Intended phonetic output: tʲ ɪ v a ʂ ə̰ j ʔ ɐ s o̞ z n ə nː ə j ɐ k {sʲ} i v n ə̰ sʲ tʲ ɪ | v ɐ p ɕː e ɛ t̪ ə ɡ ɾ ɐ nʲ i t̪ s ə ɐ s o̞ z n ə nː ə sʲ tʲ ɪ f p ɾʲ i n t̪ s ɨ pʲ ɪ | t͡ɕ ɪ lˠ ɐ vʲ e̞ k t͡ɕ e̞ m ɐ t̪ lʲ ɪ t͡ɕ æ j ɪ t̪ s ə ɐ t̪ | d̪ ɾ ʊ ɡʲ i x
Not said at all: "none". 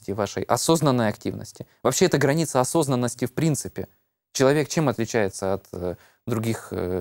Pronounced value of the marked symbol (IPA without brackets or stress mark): tʲ